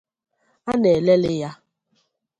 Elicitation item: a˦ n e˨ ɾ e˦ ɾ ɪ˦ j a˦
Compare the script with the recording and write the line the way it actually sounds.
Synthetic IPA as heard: a˦ n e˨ l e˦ l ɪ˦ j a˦